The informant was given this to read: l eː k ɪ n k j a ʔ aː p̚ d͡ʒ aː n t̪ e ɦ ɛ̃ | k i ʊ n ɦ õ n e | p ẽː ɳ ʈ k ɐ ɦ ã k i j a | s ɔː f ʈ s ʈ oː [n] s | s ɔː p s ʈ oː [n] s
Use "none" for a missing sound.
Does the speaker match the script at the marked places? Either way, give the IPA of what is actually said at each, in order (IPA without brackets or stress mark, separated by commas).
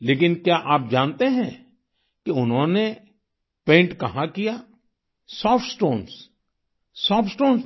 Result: n, n